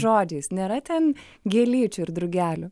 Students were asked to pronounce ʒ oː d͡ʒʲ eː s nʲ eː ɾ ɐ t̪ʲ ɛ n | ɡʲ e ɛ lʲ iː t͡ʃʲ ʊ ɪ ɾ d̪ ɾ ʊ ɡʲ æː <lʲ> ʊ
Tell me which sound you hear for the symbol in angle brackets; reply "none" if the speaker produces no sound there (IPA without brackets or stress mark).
lʲ